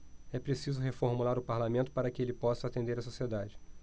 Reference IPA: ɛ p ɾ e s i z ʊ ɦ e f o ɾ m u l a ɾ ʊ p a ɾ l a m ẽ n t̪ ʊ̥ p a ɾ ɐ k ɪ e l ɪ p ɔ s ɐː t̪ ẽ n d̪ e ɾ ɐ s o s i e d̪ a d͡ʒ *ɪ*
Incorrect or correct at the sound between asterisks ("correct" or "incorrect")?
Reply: correct